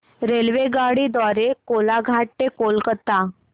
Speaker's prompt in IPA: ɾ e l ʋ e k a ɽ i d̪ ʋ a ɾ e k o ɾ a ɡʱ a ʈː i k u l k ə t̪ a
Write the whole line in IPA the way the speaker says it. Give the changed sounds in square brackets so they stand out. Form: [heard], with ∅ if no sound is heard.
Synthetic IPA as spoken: ɾ e l ʋ e [ɡ] a ɽ i d̪ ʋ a ɾ e k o [l] a ɡʱ a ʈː [e] k [o] l k ə t̪ a